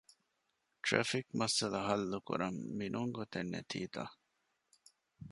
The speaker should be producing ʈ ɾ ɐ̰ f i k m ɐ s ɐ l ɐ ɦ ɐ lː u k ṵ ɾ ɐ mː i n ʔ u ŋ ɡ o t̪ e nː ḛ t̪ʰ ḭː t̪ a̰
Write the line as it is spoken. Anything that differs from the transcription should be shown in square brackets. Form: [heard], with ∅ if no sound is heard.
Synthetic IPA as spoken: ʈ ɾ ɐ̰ f i k m ɐ s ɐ l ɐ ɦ ɐ lː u k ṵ ɾ ɐ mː i n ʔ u ŋ ɡ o t̪ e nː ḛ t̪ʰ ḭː t̪ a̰